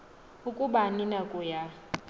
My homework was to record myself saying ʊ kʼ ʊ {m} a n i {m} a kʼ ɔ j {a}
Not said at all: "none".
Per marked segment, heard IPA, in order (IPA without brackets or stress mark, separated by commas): b, n, a